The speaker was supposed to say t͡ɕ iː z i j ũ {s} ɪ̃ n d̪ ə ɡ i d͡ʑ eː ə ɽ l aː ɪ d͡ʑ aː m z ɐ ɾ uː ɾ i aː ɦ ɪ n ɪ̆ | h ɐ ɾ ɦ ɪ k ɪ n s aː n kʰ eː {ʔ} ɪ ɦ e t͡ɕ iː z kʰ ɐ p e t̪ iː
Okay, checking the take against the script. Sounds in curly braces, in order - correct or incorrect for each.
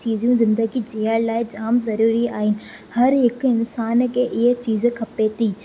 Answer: incorrect: z, correct

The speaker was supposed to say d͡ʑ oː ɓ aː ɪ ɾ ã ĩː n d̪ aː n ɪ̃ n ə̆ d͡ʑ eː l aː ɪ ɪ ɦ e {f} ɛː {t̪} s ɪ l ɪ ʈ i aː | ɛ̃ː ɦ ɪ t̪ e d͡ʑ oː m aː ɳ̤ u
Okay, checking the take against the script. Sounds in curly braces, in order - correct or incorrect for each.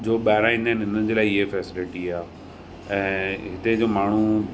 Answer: correct, incorrect: none

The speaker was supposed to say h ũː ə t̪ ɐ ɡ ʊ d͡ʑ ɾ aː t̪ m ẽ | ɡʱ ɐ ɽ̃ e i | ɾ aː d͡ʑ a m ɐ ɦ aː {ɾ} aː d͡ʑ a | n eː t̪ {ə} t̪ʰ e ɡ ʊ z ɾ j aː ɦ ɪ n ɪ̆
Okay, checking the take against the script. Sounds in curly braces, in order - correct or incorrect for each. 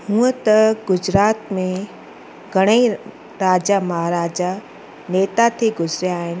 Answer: correct, incorrect: a

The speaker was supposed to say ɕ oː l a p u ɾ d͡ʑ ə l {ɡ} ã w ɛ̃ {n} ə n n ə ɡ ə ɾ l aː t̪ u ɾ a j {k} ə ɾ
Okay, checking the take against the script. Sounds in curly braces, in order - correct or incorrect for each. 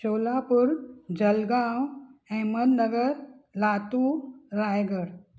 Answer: correct, incorrect: m, incorrect: ɡ

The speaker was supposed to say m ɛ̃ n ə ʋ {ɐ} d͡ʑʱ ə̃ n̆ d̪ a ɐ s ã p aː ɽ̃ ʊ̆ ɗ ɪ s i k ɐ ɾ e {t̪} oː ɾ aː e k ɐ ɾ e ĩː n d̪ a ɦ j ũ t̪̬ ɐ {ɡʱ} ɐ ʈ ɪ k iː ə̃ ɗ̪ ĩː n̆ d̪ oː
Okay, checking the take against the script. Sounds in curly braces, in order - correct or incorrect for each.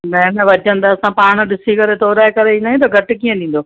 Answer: correct, correct, correct

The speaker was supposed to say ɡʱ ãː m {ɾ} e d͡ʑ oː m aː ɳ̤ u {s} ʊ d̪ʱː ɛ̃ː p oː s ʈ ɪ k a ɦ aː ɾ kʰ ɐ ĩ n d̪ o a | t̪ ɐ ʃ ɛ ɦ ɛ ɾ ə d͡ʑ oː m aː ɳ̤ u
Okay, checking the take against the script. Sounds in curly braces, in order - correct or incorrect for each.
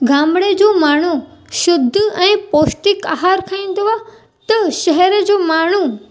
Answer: incorrect: ɽ, incorrect: ʃ

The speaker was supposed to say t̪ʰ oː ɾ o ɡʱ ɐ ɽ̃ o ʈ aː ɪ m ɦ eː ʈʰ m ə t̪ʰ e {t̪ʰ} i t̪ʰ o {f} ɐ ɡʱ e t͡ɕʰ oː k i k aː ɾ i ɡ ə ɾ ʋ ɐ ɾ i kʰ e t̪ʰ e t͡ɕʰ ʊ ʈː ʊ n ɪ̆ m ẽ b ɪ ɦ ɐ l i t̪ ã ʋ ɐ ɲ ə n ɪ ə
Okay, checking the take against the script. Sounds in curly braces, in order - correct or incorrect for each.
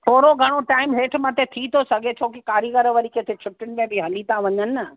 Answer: correct, incorrect: s

